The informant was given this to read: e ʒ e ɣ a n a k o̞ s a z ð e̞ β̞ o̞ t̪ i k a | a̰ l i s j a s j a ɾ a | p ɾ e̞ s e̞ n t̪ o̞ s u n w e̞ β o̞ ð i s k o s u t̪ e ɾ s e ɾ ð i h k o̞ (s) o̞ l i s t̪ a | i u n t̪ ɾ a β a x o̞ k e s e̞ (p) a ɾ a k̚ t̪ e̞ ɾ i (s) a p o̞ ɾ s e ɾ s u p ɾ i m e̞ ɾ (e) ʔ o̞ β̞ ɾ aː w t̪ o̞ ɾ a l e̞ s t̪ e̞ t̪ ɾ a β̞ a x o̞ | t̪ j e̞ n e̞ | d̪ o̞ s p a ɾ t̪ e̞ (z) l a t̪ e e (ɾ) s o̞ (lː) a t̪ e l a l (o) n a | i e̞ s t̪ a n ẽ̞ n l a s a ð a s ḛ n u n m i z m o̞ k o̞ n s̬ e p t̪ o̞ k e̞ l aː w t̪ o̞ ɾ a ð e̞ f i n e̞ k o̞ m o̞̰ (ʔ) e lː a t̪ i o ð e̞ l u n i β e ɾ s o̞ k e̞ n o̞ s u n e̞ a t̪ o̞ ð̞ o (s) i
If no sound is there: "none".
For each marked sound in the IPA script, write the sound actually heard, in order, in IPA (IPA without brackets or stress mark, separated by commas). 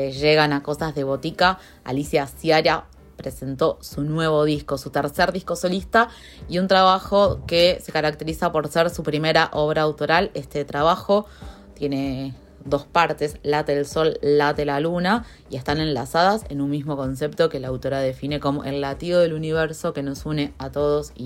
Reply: s, k, s, a, s, l, lː, u, ʔ, s